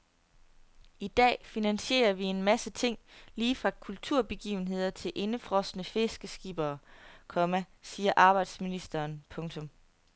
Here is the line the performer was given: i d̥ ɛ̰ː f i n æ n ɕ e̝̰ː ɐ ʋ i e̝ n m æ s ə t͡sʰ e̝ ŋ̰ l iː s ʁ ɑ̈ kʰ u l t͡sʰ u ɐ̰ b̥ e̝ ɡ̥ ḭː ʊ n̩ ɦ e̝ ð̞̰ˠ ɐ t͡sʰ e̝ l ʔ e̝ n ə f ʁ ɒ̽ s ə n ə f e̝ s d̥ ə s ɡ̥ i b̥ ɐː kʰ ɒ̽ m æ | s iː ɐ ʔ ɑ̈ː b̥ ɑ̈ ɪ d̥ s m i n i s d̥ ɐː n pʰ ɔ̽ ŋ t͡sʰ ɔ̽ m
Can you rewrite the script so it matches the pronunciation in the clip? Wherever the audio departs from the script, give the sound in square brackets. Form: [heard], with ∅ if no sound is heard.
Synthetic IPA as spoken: i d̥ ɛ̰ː f i n æ n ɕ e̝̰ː ɐ ʋ i e̝ n m æ s ə t͡sʰ e̝ ŋ̰ l iː [f] ʁ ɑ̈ kʰ u l t͡sʰ u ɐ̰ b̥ e̝ ɡ̥ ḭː ʊ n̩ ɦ e̝ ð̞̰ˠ ɐ t͡sʰ e̝ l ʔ e̝ n ə f ʁ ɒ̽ s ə n ə f e̝ s [ɡ̥] ə s ɡ̥ i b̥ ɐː kʰ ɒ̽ m æ | s iː ɐ ʔ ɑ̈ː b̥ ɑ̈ ɪ d̥ s m i n i s d̥ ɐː n pʰ ɔ̽ ŋ t͡sʰ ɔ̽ m